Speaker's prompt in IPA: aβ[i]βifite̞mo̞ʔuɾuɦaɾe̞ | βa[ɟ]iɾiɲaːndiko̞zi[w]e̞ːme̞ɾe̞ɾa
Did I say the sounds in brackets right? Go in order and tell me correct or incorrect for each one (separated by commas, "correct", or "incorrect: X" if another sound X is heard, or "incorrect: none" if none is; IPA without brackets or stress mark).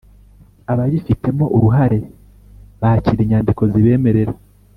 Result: incorrect: a, incorrect: c, incorrect: β